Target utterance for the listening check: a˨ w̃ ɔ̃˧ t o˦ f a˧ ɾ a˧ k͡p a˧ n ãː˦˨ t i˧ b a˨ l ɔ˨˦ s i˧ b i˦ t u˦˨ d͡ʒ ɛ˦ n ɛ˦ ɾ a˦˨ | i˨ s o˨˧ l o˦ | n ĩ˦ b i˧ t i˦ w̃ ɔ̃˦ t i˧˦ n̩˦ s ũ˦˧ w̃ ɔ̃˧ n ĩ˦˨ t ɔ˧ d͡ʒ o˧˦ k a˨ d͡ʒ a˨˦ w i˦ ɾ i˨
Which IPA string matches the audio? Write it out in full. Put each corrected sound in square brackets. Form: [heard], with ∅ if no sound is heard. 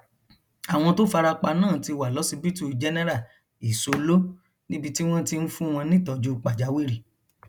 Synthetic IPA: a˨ w̃ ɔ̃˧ t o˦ f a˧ ɾ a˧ k͡p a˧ n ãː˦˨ t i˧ [w] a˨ l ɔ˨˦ s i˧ b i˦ t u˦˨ d͡ʒ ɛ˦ n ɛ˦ ɾ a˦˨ | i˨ s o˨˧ l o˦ | n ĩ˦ b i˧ t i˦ w̃ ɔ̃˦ t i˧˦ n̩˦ [f] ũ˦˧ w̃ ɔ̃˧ n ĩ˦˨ t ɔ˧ d͡ʒ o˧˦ [k͡p] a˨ d͡ʒ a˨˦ w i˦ ɾ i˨